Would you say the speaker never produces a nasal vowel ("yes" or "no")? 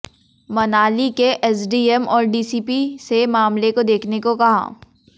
yes